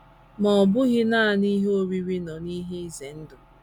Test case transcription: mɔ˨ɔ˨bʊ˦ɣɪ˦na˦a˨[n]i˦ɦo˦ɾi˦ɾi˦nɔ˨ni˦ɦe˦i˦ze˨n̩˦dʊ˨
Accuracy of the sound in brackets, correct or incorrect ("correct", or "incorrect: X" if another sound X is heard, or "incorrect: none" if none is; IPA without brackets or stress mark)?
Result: correct